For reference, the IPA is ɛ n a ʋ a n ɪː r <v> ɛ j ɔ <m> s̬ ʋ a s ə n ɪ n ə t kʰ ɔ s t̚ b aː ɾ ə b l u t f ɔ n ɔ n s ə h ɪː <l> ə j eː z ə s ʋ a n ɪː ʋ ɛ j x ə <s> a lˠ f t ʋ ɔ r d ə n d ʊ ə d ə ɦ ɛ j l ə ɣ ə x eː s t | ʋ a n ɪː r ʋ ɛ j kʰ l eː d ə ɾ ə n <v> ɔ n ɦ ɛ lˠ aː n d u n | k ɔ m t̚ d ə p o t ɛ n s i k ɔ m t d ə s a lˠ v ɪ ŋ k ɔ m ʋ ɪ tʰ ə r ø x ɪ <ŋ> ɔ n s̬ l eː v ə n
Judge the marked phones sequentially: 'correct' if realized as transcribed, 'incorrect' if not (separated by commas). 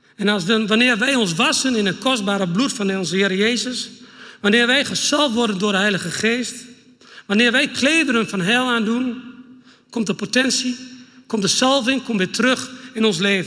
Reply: incorrect, incorrect, incorrect, correct, incorrect, incorrect